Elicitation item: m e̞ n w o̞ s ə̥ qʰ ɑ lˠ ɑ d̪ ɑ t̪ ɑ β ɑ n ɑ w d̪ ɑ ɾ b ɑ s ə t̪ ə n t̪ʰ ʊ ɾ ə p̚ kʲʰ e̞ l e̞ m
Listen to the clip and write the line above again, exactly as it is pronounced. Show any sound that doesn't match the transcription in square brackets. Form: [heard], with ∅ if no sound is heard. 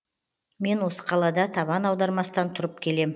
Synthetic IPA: m e̞ n w o̞ s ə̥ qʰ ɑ lˠ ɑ d̪ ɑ [t̪ʰ] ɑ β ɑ n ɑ w d̪ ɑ ɾ [m] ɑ s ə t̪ [ɑ] n t̪ʰ ʊ ɾ ə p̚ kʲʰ e̞ l e̞ m